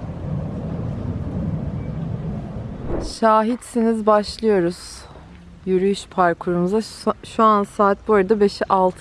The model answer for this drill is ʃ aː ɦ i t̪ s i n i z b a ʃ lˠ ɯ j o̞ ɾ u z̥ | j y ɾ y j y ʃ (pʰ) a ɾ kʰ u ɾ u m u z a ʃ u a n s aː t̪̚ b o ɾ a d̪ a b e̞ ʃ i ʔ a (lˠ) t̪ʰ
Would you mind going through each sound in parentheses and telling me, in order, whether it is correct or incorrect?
correct, correct

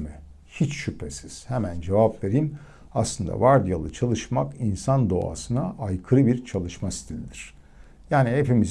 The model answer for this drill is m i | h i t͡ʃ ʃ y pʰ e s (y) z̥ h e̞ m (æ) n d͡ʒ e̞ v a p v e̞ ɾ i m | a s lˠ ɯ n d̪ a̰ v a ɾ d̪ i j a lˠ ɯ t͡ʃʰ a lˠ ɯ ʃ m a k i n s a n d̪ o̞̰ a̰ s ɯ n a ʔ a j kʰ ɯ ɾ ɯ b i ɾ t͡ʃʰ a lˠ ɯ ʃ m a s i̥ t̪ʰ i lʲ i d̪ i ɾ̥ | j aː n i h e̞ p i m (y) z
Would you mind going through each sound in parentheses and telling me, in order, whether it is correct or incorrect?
incorrect, correct, incorrect

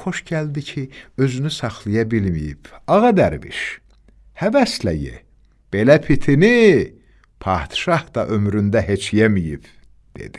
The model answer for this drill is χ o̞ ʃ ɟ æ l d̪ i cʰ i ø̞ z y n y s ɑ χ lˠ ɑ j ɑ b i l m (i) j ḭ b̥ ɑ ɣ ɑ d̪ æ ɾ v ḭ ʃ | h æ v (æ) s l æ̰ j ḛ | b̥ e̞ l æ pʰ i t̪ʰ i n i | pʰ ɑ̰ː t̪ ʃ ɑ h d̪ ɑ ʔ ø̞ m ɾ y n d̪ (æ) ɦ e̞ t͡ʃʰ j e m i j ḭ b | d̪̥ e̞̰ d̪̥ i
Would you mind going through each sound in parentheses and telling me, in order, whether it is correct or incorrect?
correct, correct, correct

